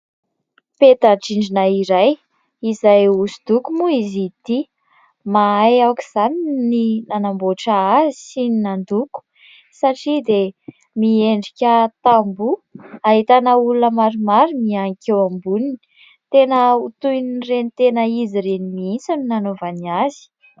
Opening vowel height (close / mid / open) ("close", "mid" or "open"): mid